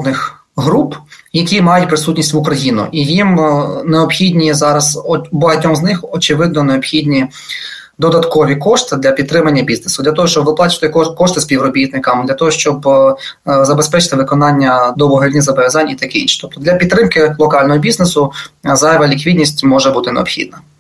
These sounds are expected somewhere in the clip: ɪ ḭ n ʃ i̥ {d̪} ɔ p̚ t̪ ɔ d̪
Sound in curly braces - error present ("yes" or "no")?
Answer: yes